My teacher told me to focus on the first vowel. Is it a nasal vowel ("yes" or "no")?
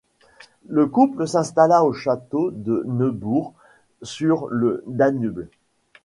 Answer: no